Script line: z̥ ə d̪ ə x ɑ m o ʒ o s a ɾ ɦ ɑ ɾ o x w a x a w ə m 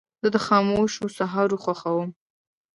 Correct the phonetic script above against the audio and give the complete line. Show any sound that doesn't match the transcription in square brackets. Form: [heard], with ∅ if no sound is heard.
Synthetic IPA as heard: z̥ ə d̪ ə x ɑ m o [ʃ] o s a [∅] ɦ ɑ ɾ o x w a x a w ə m